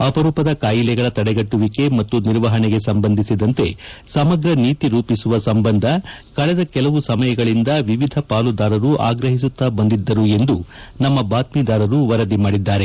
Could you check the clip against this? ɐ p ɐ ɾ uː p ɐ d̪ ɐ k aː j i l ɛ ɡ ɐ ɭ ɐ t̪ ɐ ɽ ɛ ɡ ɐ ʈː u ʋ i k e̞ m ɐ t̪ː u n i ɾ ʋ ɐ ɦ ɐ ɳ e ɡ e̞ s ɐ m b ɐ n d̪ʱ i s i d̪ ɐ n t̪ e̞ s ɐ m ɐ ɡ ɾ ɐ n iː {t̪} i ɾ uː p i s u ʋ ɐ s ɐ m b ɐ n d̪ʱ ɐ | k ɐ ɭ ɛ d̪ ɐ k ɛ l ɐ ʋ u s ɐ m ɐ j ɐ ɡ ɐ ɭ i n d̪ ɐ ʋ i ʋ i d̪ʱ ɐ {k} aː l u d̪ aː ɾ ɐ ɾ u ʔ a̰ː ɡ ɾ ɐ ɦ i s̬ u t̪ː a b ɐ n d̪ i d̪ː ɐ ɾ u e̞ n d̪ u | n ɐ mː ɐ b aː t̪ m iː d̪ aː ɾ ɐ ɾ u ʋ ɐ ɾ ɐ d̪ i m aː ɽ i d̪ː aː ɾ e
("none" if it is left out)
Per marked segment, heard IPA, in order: t̪, p

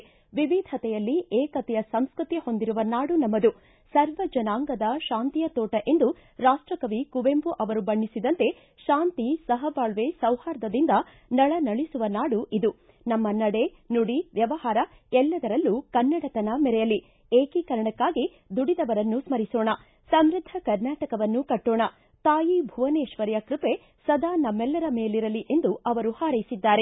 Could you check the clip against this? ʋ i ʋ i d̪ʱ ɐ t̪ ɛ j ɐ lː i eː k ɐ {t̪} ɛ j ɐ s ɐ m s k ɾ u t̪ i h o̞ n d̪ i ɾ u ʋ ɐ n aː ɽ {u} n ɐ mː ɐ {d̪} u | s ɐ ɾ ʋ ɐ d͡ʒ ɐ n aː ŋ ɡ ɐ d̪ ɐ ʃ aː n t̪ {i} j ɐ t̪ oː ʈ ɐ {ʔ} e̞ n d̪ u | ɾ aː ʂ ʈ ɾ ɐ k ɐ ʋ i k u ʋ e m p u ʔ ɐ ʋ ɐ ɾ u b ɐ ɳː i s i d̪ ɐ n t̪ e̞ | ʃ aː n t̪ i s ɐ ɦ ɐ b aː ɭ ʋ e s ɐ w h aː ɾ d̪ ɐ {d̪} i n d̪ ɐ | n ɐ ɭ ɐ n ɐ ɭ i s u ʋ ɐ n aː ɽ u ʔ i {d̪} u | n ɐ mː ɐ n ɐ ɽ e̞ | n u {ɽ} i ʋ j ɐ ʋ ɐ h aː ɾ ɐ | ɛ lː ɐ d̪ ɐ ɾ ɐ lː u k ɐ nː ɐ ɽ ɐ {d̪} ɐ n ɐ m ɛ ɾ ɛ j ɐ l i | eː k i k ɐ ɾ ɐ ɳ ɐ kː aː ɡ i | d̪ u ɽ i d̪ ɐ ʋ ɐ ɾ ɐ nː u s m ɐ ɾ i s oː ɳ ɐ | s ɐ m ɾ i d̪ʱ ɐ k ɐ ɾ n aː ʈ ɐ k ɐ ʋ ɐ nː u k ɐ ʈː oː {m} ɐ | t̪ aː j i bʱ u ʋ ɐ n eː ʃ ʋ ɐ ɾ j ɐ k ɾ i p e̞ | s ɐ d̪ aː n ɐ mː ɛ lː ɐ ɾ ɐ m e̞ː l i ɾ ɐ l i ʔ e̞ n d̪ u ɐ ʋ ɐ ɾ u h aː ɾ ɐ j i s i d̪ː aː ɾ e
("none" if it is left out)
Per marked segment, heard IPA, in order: t̪, u, d̪, i, ʔ, d̪, d̪, ɽ, t̪, ɳ

